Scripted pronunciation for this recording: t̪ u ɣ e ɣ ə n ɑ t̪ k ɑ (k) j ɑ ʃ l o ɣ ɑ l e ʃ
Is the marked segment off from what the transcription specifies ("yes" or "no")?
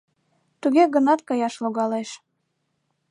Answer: yes